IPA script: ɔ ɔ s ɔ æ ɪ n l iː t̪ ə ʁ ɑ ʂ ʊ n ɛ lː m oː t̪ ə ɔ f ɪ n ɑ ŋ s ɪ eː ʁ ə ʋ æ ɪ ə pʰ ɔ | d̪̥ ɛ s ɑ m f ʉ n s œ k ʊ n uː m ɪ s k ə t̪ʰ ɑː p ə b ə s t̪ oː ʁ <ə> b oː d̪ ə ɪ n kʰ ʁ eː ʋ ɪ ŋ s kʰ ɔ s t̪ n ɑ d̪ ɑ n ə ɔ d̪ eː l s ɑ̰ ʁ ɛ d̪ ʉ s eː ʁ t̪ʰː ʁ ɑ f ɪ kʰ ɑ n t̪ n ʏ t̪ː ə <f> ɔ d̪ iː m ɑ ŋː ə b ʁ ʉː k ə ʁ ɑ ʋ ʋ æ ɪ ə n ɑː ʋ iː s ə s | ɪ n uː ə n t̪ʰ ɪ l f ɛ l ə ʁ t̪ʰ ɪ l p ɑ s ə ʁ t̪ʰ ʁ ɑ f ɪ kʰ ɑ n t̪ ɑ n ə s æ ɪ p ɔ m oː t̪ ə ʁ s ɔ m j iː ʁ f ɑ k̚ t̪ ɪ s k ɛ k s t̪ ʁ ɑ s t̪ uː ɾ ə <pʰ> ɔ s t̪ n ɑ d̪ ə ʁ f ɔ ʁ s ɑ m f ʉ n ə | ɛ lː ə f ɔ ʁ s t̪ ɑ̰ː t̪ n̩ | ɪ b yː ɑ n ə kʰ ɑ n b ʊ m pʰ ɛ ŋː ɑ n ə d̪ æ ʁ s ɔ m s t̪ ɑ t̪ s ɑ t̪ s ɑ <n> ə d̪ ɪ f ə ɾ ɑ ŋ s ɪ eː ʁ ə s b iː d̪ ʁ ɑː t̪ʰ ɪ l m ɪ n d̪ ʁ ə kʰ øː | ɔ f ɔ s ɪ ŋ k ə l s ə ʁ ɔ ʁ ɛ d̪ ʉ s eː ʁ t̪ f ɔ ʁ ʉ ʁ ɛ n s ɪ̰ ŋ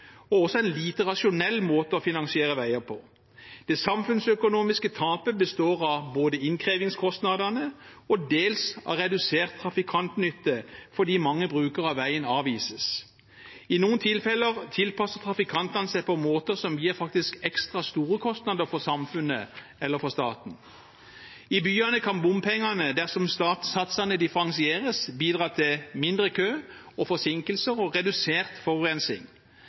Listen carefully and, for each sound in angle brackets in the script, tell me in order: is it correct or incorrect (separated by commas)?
incorrect, correct, incorrect, correct